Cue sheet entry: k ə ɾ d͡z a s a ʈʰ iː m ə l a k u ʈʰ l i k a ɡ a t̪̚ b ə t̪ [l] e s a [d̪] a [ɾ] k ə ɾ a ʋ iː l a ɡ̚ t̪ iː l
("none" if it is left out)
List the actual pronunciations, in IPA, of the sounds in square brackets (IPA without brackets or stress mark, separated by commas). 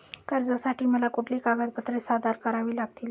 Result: ɾ, d̪, ɾ